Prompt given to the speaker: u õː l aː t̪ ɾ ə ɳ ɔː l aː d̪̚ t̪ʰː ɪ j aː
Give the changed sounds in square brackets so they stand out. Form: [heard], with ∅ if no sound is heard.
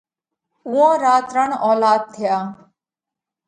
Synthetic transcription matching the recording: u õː [ɾ] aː t̪ ɾ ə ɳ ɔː l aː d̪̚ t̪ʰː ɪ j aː